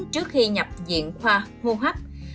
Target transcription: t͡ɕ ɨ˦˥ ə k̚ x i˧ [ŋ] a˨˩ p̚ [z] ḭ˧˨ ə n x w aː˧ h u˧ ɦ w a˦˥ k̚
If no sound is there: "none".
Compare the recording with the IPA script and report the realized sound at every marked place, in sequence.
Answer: ɲ, z

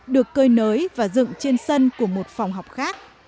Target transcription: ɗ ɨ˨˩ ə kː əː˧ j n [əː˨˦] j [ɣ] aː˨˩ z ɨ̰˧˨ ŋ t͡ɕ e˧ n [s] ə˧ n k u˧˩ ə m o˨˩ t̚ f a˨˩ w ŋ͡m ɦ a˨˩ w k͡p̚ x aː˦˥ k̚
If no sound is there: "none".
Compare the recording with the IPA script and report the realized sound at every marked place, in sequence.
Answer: əː˨˦, v, s

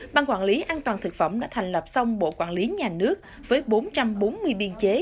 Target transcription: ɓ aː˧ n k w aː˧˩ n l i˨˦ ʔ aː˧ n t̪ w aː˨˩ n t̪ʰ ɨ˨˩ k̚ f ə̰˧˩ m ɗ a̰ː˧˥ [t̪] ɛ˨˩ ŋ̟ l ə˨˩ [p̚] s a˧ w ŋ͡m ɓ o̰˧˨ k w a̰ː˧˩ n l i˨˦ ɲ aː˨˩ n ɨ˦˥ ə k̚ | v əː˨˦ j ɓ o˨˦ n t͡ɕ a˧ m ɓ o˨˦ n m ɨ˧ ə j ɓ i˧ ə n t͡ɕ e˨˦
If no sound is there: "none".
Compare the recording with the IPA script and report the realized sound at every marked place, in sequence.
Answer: t̪ʰ, p̚

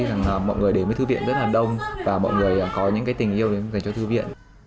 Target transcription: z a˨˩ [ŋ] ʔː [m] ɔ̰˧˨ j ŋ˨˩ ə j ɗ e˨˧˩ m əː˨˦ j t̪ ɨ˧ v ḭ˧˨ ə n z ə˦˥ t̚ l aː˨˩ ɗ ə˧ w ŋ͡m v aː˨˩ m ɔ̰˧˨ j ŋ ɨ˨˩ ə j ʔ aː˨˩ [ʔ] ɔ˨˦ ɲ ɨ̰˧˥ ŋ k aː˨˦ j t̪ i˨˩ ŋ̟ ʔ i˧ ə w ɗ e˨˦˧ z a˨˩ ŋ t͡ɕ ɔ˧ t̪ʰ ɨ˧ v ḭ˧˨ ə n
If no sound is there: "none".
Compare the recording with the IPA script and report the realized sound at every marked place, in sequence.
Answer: ŋ, m, k

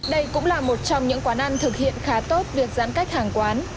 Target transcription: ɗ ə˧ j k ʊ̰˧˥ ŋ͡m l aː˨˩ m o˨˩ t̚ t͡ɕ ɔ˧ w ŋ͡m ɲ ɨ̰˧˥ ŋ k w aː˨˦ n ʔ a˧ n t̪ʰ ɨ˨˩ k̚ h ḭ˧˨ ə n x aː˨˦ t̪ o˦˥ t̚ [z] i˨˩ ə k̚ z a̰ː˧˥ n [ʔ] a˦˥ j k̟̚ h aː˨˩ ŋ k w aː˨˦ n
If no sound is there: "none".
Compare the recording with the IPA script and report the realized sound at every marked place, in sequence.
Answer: v, k

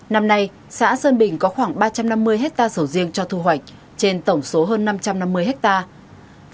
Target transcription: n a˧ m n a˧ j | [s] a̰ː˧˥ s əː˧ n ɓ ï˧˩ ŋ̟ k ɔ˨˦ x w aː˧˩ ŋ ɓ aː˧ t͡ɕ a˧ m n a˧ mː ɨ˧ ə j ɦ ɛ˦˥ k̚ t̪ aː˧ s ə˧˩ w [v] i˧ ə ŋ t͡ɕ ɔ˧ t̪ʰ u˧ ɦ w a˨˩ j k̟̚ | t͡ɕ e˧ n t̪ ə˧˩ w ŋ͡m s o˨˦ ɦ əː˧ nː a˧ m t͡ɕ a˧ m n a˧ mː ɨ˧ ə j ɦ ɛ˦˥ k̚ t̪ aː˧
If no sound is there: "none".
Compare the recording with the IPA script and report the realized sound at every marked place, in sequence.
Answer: s, z

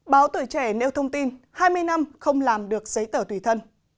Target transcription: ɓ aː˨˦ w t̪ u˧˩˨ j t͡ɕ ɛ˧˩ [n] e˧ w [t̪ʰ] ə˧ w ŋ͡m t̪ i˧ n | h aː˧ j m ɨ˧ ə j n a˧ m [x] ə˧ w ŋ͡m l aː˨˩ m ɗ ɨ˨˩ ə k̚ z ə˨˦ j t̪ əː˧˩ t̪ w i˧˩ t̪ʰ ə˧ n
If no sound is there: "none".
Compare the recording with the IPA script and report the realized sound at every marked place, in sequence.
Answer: n, t̪ʰ, x

